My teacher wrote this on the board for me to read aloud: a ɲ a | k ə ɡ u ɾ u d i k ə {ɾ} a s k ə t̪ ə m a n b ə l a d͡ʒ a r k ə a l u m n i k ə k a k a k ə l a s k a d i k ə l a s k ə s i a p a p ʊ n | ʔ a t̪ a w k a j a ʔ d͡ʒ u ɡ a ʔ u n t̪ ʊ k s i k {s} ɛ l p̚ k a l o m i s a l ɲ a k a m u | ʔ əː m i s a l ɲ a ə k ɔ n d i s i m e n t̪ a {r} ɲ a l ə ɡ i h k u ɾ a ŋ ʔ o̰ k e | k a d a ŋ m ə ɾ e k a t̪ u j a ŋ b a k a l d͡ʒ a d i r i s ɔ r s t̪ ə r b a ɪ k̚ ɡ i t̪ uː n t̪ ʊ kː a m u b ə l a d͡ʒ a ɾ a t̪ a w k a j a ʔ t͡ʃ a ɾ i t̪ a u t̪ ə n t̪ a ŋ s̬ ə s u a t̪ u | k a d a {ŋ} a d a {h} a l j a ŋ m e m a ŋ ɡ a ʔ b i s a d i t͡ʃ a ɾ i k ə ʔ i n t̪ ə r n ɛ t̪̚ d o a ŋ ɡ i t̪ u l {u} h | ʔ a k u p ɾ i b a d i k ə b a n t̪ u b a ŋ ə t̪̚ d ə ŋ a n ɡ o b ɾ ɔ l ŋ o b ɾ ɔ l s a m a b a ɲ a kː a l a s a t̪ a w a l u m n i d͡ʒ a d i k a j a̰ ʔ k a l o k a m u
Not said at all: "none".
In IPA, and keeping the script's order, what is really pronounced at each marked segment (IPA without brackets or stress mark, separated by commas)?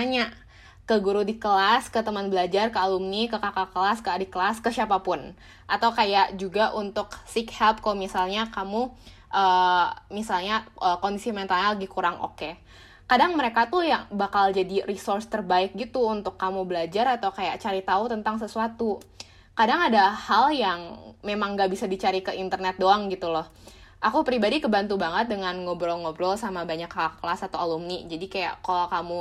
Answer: l, h, l, ŋ, h, ɔ